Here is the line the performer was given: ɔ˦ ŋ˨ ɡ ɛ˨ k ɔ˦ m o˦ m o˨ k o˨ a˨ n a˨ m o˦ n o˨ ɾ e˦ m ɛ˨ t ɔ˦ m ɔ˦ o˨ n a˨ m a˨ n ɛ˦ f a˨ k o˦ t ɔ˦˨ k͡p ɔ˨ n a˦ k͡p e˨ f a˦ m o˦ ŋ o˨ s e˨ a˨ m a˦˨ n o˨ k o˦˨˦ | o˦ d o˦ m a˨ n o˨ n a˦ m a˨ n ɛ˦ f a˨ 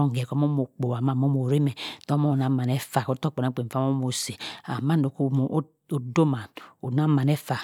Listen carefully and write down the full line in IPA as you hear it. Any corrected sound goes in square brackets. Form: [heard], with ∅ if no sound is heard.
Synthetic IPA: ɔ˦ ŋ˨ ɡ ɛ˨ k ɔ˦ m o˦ m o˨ [k͡p] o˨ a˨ [m] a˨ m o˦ [m] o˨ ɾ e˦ m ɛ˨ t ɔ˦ m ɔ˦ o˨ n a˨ m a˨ n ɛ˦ f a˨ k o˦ t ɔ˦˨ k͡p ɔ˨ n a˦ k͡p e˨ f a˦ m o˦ [m] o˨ s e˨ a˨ m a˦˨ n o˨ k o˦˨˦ | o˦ d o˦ m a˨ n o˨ n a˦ m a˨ n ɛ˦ f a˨

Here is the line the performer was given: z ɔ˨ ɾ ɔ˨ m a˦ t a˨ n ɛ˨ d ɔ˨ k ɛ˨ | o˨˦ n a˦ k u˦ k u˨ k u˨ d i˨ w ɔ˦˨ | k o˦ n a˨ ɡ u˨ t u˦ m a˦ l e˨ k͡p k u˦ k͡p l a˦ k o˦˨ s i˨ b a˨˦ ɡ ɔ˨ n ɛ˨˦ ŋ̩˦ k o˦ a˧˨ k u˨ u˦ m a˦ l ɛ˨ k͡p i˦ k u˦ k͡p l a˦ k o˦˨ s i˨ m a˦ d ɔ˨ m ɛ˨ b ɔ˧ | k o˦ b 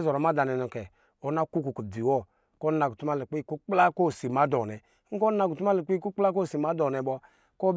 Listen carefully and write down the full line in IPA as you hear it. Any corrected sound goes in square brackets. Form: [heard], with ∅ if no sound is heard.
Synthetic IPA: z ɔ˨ ɾ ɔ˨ m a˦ [d] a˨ n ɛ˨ [n] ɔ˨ k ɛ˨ | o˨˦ n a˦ k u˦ k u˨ k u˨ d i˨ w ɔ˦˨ | k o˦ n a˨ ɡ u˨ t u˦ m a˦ l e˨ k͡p k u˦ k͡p l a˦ k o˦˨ s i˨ [m] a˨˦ [d] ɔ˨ n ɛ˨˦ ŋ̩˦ k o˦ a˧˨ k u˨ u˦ m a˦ l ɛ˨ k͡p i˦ k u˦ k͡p l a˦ k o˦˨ s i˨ m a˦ d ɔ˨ [n] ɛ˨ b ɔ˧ | k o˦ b

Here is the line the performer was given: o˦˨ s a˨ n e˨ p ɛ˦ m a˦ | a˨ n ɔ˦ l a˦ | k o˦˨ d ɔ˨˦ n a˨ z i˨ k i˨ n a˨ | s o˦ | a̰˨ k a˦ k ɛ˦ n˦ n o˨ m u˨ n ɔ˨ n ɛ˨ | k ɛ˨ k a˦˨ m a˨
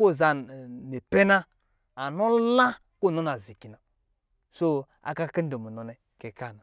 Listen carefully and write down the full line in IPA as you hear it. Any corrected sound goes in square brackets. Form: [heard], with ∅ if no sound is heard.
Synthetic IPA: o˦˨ [z] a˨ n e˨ p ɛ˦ [n] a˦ | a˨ n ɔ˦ l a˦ | k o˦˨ [n] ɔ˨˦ n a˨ z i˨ k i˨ n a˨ | s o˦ | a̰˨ k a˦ k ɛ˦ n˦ [d] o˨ m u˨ n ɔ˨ n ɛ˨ | k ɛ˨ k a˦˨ [n] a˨

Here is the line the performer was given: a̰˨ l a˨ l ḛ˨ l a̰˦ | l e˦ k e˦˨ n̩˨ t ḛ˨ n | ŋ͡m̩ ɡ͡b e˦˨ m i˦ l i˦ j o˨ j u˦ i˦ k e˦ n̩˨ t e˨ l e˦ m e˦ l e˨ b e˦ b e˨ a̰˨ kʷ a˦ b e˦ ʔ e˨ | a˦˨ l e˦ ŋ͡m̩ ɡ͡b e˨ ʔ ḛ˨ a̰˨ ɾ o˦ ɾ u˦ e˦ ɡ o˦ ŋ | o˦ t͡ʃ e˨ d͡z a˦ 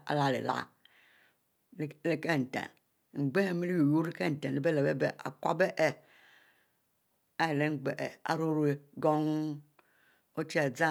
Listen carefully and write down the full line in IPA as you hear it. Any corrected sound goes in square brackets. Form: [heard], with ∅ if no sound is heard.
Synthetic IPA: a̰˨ l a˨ l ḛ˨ l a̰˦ | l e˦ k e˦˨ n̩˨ t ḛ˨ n | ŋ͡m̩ ɡ͡b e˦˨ m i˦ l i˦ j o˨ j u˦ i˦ k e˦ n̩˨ t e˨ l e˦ [b] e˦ l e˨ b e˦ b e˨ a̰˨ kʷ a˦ b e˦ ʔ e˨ | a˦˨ l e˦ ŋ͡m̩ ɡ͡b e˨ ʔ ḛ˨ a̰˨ ɾ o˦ ɾ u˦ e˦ ɡ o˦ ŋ | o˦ t͡ʃ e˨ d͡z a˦

